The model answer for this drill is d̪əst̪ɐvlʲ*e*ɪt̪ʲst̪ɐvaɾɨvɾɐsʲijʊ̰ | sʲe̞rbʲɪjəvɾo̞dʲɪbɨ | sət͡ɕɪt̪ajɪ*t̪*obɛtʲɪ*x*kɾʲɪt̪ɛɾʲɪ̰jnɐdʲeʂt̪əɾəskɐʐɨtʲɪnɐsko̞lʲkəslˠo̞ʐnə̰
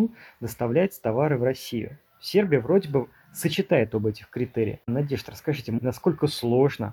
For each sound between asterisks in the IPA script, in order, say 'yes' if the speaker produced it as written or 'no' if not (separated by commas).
no, yes, yes